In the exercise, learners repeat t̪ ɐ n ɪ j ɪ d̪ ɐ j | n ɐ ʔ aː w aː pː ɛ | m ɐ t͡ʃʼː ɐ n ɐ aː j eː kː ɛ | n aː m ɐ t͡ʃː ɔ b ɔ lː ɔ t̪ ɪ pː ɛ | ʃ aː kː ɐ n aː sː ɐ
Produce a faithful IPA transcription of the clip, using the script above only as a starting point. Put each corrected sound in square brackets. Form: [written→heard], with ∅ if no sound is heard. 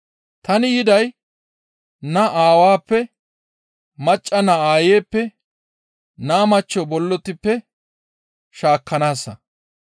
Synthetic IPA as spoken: t̪ ɐ n ɪ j ɪ d̪ ɐ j | n ɐ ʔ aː w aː pː ɛ | m ɐ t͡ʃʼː ɐ n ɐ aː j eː [kː→pː] ɛ | n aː m ɐ t͡ʃː ɔ b ɔ lː ɔ t̪ ɪ pː ɛ | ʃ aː kː ɐ n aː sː ɐ

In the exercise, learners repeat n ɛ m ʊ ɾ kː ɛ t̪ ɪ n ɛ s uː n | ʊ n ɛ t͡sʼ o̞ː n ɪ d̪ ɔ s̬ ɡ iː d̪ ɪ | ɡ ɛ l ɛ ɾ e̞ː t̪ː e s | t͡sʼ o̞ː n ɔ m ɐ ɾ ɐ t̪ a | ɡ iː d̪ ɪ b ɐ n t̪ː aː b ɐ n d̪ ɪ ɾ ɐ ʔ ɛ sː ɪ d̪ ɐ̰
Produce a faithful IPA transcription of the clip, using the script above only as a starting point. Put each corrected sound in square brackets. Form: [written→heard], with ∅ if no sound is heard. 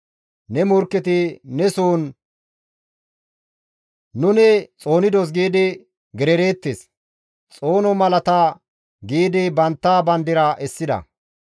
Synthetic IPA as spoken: n ɛ m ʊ ɾ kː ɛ t̪ ɪ n ɛ s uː n | ʊ n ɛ t͡sʼ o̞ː n ɪ d̪ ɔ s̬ ɡ iː d̪ ɪ | ɡ ɛ [l→ɾ] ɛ ɾ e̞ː t̪ː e s | t͡sʼ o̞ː n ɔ m ɐ [ɾ→l] ɐ t̪ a | ɡ iː d̪ ɪ b ɐ n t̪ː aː b ɐ n d̪ ɪ ɾ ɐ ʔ ɛ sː ɪ d̪ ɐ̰

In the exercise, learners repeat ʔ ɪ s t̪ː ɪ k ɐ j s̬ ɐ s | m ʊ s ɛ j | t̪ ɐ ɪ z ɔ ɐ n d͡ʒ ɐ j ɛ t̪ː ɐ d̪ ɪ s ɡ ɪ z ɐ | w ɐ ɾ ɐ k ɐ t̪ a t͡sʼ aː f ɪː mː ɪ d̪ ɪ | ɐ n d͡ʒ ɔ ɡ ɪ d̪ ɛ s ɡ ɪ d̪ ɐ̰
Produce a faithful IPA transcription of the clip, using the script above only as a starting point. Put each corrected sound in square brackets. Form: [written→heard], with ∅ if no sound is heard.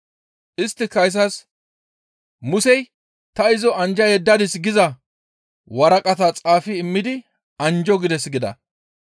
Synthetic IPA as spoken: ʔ ɪ s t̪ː ɪ k ɐ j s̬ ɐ s | m ʊ s ɛ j | t̪ ɐ ɪ z ɔ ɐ n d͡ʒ ɐ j ɛ [t̪ː→d̪ː] ɐ d̪ ɪ s ɡ ɪ z ɐ | w ɐ ɾ ɐ [k→kʼ] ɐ t̪ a t͡sʼ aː f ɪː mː ɪ d̪ ɪ | ɐ n d͡ʒ ɔ ɡ ɪ d̪ ɛ s ɡ ɪ d̪ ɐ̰

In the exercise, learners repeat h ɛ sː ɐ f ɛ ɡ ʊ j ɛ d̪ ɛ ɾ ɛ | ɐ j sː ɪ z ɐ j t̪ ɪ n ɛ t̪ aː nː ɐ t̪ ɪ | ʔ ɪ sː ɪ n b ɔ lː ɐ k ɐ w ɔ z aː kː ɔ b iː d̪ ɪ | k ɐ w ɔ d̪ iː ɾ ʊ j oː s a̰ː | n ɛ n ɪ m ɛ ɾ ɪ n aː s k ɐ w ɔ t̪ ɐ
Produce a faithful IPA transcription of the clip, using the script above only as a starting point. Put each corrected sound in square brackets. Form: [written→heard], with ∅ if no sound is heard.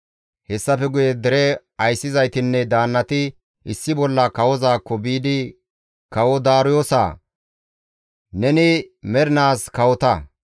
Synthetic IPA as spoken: h ɛ sː ɐ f ɛ ɡ ʊ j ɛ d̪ ɛ ɾ ɛ | ɐ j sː ɪ z ɐ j t̪ ɪ [n→nː] ɛ [t̪→d̪] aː nː ɐ t̪ ɪ | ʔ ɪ sː ɪ [n→∅] b ɔ lː ɐ k ɐ w ɔ z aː kː ɔ b iː d̪ ɪ | k ɐ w ɔ d̪ [iː→aː] ɾ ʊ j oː s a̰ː | n ɛ n ɪ m ɛ ɾ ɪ n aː s k ɐ w ɔ t̪ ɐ

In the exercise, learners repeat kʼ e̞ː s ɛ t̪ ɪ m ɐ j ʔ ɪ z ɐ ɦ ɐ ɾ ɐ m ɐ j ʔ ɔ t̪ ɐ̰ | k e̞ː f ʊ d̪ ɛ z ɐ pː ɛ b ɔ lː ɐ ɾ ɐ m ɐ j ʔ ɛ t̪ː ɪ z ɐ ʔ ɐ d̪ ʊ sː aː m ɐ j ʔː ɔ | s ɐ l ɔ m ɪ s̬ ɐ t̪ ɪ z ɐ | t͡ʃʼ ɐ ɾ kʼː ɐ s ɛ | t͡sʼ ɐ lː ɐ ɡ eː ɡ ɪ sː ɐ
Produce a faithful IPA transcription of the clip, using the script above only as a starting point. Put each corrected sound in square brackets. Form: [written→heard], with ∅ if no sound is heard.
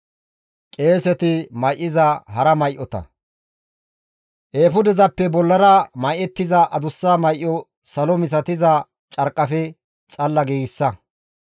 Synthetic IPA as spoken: kʼ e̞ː s ɛ t̪ ɪ m ɐ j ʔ ɪ z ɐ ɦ ɐ ɾ ɐ m ɐ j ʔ ɔ t̪ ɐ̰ | [k→ʔ] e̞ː f ʊ d̪ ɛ z ɐ pː ɛ b ɔ lː ɐ ɾ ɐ m ɐ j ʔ ɛ t̪ː ɪ z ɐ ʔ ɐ d̪ ʊ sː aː m ɐ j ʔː ɔ | s ɐ l ɔ m ɪ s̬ ɐ t̪ ɪ z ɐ | t͡ʃʼ ɐ ɾ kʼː ɐ [s→f] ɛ | t͡sʼ ɐ lː ɐ ɡ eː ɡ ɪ sː ɐ

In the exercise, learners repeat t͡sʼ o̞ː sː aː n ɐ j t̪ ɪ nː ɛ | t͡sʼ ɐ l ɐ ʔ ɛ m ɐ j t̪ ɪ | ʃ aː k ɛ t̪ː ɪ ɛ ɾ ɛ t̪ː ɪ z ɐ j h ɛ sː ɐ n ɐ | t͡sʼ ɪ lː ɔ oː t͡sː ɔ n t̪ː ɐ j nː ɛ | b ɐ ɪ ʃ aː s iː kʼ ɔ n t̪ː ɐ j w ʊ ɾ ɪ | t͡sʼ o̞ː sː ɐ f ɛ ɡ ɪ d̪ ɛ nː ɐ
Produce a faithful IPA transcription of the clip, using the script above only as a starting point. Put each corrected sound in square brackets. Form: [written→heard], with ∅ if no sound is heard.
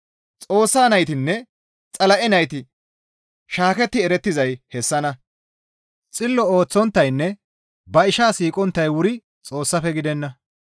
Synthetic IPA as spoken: t͡sʼ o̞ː sː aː n ɐ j t̪ ɪ nː ɛ | t͡sʼ ɐ l ɐ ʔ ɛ [m→n] ɐ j t̪ ɪ | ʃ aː k ɛ t̪ː ɪ ɛ ɾ ɛ t̪ː ɪ z ɐ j h ɛ sː ɐ n ɐ | t͡sʼ ɪ lː ɔ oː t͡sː ɔ n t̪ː ɐ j nː ɛ | b ɐ ɪ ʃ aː s iː kʼ ɔ n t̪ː ɐ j w ʊ ɾ ɪ | t͡sʼ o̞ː sː ɐ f ɛ ɡ ɪ d̪ ɛ nː ɐ

